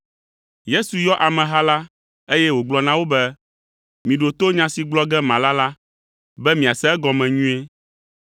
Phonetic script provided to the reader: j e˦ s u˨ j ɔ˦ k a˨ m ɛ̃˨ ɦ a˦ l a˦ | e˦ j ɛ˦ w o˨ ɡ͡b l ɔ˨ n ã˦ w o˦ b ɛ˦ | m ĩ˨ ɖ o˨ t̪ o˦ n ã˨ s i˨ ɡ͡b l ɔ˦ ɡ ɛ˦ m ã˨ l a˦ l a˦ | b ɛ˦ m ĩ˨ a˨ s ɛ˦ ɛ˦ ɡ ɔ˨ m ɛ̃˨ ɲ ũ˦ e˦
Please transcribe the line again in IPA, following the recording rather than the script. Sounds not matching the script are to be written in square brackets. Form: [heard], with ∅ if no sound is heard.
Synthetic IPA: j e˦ s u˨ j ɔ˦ [ʔ] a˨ m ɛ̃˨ ɦ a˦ l a˦ | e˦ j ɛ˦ w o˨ ɡ͡b l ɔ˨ n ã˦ w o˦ b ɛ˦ | m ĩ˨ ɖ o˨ t̪ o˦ [ɲ] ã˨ s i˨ ɡ͡b l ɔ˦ ɡ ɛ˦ m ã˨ l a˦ l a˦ | b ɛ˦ m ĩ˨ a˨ s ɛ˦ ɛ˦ ɡ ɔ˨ m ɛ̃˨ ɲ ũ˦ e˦